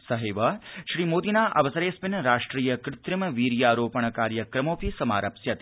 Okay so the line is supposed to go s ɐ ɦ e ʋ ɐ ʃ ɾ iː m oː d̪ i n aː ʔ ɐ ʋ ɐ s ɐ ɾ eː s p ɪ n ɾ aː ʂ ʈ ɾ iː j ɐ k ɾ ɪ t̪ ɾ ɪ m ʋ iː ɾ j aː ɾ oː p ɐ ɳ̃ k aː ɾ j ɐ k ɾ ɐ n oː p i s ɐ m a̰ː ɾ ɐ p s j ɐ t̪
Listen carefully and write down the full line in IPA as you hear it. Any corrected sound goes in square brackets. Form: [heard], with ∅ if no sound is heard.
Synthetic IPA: s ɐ ɦ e ʋ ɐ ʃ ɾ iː m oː d̪ i n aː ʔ ɐ ʋ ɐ s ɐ ɾ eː s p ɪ n ɾ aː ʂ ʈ ɾ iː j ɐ k ɾ ɪ t̪ ɾ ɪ m ʋ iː ɾ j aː ɾ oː p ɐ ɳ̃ k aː ɾ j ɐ k ɾ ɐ [m] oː p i s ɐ m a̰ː ɾ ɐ p s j ɐ t̪